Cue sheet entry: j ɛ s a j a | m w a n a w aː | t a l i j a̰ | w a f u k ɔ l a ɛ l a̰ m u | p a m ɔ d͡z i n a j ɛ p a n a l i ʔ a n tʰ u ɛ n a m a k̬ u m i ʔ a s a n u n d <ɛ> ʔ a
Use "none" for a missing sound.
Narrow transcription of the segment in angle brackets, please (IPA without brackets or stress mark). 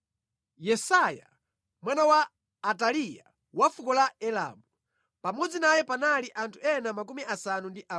i